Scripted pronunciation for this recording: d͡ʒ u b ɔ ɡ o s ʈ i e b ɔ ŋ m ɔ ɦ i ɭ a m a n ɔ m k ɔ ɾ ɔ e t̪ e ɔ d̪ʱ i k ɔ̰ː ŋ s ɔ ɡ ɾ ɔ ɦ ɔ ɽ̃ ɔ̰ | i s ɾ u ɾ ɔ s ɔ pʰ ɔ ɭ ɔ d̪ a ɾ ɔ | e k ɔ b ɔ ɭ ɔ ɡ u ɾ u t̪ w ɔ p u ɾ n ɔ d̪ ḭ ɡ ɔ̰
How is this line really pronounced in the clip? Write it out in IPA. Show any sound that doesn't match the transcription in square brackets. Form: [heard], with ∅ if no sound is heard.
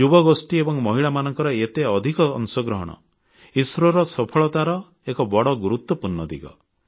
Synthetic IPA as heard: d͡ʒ u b ɔ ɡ o s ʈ i e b ɔ ŋ m ɔ ɦ i ɭ a m a n ɔ [ŋ] k ɔ ɾ ɔ e t̪ e ɔ d̪ʱ i k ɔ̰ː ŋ s ɔ ɡ ɾ ɔ ɦ ɔ ɽ̃ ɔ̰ | i s ɾ [ɔ] ɾ ɔ s ɔ pʰ ɔ ɭ ɔ [t̪] a ɾ ɔ | e k ɔ b ɔ [ɽ] ɔ ɡ u ɾ u t̪ w ɔ p u ɾ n ɔ d̪ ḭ ɡ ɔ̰